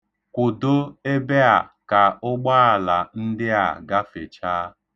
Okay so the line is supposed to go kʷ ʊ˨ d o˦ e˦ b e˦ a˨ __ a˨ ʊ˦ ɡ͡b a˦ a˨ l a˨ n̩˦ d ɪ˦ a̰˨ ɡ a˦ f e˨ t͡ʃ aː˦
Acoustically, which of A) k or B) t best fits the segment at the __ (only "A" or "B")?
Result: A